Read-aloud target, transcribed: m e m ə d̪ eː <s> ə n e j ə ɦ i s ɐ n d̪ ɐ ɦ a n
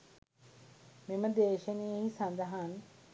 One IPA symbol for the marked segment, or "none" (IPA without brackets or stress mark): ʃ